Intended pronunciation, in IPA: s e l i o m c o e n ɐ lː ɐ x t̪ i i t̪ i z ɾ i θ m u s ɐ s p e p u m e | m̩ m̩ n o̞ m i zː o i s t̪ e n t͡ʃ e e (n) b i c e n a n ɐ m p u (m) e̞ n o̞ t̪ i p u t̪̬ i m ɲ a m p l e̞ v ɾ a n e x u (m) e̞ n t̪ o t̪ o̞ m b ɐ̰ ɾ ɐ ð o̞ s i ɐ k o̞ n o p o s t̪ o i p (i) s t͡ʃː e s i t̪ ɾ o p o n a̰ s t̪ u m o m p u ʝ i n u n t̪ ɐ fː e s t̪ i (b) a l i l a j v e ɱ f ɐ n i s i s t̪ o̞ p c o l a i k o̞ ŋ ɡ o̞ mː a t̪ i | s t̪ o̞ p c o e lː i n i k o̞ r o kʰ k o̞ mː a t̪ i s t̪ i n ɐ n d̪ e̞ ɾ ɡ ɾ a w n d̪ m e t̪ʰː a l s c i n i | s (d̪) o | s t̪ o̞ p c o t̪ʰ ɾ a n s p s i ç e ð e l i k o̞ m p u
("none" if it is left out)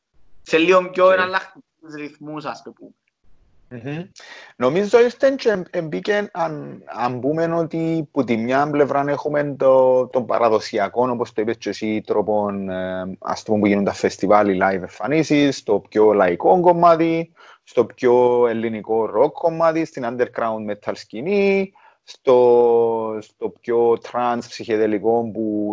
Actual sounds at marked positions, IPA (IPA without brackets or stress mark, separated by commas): m, m, m, e, v, t̪